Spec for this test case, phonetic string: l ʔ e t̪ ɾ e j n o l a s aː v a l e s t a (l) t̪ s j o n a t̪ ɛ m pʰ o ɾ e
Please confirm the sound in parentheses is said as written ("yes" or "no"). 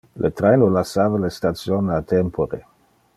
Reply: no